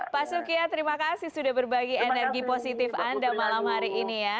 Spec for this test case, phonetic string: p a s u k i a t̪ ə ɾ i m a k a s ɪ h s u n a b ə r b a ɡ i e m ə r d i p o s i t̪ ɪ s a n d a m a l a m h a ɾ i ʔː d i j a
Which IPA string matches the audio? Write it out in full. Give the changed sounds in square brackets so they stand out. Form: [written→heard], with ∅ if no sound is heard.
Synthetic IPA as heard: p a s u k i a t̪ ə ɾ i m a k a s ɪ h s u [n→d] a b ə r b a ɡ i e [m→n] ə r [d→ɡ] i p o s i t̪ ɪ [s→f] a n d a m a l a m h a ɾ i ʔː [d→n] i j a